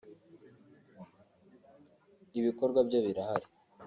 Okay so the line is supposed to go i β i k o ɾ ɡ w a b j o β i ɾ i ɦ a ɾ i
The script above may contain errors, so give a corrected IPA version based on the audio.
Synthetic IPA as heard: i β i k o ɾ ɡ w a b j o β i ɾ a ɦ a ɾ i